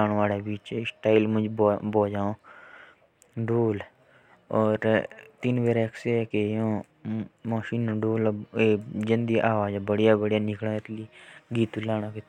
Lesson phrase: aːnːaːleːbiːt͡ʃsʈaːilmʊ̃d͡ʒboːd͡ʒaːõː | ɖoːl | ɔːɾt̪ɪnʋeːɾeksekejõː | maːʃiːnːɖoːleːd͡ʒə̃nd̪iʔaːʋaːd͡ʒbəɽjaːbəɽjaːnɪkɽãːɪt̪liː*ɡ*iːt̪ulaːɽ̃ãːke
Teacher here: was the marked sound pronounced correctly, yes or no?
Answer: yes